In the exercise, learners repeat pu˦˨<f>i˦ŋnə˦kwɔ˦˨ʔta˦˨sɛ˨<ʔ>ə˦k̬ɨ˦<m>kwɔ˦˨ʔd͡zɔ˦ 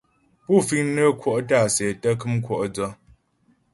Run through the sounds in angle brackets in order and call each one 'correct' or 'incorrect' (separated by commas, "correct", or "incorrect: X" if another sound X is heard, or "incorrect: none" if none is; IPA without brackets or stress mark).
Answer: correct, incorrect: t, correct